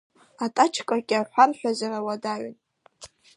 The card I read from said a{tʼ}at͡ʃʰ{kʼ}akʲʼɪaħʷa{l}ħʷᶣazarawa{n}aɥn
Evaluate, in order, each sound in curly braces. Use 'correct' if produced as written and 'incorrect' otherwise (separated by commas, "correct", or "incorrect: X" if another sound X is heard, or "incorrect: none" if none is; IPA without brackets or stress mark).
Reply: correct, correct, incorrect: r, incorrect: d